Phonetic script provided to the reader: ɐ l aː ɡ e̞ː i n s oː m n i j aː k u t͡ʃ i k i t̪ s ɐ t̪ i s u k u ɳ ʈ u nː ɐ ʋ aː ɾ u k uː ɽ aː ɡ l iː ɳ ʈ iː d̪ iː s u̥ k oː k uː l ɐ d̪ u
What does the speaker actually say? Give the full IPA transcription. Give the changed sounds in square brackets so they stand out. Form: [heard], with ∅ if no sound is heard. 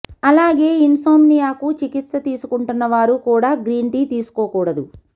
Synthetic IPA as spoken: ɐ l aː ɡ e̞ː i n s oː m n i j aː k u t͡ʃ i k i t̪ s ɐ t̪ [iː] s u k u ɳ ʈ u nː ɐ ʋ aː ɾ u k uː ɽ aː ɡ [ɾ] iː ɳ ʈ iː [t̪] iː s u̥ k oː k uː [ɽ] ɐ d̪ u